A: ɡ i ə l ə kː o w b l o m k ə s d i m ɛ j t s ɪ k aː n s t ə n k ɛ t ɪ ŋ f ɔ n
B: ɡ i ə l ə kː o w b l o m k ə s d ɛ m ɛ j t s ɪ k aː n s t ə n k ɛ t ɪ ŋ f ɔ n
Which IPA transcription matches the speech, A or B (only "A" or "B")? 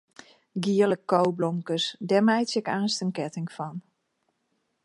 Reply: B